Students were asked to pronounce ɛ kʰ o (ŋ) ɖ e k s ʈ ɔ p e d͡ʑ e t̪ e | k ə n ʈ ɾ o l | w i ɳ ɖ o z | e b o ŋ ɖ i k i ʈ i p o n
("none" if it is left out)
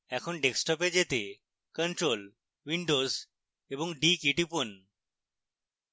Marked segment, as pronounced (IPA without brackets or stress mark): n